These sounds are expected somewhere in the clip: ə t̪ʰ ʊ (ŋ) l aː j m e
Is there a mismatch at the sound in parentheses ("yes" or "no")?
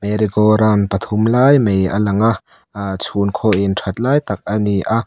yes